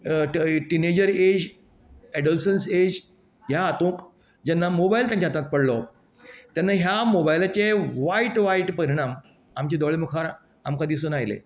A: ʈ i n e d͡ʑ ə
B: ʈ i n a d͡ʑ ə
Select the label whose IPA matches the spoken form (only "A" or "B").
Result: A